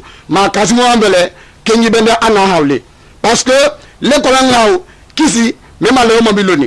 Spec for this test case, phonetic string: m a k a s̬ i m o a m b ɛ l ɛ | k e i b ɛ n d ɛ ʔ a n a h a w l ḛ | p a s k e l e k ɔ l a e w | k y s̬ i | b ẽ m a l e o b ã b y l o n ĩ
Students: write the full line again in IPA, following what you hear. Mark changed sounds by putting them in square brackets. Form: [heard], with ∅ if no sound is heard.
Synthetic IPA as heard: m a k a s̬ i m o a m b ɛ l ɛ | k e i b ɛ n d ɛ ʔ a n a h a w l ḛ | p a s k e l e k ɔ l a [a] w | k [i] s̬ i | [m] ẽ m a l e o [m] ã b [i] l o n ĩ